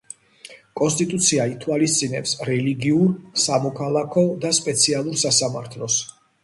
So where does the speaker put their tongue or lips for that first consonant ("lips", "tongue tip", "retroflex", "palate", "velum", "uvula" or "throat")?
velum